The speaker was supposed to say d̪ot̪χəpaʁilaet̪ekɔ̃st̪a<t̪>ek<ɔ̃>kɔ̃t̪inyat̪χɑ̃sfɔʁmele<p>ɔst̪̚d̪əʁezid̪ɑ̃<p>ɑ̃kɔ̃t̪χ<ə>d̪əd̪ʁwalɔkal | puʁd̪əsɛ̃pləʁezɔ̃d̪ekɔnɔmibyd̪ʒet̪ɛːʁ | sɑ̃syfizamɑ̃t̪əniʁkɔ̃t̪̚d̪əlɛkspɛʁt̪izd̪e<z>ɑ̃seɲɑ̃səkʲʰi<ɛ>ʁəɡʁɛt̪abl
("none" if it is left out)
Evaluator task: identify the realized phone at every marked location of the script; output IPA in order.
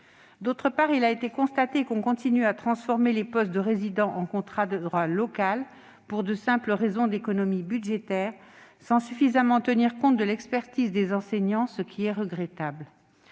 t̪, ɔ̃, p, ʔ, a, z, ɛ

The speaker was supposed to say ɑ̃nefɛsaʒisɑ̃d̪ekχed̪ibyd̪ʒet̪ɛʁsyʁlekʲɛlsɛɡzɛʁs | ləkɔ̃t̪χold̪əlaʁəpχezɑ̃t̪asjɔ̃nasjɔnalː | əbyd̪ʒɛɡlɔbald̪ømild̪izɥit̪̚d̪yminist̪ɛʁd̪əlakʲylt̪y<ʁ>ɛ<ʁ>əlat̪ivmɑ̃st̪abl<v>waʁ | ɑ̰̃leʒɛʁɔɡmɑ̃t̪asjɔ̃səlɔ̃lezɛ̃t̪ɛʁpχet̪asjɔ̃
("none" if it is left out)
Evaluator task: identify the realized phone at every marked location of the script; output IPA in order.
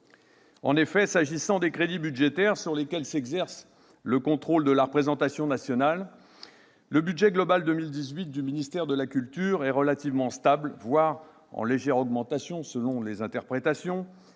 ʁ, ʁ, v

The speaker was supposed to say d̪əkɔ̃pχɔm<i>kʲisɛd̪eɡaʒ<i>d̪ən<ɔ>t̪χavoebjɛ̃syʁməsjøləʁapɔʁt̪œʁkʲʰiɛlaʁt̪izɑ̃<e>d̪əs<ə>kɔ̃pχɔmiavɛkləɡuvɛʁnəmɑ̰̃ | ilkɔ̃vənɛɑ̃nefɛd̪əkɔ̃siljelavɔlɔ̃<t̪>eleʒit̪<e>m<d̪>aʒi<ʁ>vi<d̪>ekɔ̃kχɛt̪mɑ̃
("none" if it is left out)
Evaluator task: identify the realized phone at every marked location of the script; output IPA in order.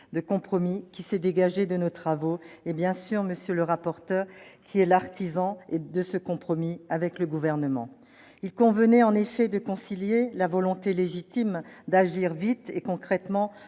i, e, o, e, ə, t̪, i, d̪, ʁ, t̪

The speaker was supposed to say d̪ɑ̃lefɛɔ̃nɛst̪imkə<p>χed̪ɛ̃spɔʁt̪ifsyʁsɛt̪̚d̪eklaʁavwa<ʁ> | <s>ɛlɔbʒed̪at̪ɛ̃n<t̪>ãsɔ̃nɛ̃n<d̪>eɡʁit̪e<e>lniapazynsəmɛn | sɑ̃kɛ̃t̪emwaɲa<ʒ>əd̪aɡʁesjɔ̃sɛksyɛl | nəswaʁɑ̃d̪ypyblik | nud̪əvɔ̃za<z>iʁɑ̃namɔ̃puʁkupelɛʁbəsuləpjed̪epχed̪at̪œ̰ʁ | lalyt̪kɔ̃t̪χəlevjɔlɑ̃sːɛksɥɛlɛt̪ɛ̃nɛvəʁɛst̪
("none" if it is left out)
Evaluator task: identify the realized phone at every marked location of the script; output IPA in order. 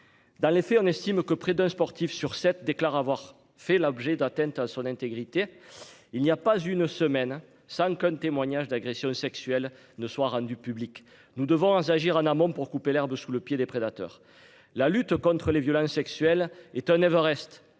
p, ʁ, f, t̪, t̪, i, ʒ, ʒ

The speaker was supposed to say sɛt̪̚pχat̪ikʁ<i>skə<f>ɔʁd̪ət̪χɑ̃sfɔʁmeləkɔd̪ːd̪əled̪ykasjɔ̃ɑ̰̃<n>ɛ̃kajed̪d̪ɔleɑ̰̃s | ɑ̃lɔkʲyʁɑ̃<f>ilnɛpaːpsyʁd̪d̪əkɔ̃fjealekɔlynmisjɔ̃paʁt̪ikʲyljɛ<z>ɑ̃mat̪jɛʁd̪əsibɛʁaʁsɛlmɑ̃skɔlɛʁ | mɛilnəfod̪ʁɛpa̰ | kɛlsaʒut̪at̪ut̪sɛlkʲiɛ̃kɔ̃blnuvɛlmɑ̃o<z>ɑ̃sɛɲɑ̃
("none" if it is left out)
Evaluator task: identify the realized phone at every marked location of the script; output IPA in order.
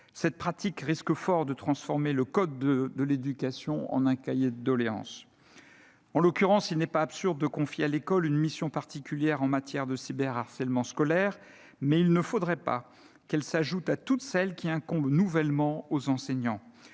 i, f, n, s, ʁ, z

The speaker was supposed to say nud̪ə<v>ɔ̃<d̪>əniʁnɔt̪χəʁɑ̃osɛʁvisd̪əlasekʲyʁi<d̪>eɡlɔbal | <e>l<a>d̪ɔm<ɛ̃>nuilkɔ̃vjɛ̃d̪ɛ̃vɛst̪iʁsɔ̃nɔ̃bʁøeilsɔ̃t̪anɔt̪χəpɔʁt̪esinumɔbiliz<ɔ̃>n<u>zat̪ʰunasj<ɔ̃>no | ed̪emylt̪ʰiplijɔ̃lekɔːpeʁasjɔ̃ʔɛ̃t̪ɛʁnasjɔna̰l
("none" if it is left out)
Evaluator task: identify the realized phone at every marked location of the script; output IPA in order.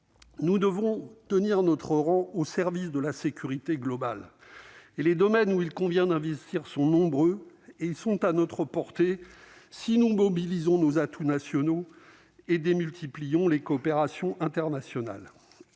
v, t̪, t̪, e, e, ɛ, ɔ̃, o, ɔ

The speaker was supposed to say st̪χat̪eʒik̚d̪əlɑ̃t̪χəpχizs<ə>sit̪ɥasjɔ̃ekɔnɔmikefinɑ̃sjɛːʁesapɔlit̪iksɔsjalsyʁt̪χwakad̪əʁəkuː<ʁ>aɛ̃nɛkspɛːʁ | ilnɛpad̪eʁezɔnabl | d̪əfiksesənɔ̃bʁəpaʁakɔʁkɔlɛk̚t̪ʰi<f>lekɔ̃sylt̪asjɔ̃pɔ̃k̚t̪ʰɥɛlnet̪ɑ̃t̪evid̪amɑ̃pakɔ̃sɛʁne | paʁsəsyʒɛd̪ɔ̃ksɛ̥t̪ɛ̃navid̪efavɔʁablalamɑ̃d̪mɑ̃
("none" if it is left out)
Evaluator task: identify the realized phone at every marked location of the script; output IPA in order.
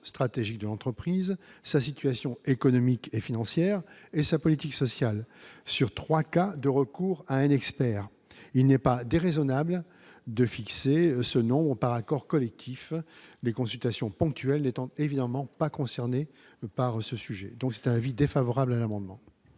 a, ʁ, f

